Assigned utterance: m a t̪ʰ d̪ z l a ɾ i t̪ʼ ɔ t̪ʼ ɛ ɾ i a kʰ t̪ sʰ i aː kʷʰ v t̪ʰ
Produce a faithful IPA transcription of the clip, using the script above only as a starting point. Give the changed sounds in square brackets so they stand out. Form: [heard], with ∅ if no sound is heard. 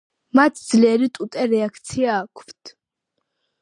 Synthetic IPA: m a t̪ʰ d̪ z l [ɛ] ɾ i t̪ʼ [u] t̪ʼ ɛ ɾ [ɛ] a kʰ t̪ sʰ i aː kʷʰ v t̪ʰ